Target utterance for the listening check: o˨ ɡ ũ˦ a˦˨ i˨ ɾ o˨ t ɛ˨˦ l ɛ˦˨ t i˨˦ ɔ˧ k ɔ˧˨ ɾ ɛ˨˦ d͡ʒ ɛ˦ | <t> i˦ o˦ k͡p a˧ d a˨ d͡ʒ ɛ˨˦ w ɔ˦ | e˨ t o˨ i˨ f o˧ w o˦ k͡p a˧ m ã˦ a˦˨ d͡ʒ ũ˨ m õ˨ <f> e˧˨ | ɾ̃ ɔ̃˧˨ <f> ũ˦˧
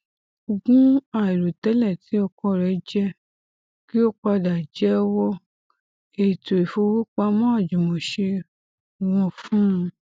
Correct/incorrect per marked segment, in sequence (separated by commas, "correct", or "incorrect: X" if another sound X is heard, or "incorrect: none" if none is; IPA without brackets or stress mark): incorrect: k, incorrect: ʃ, correct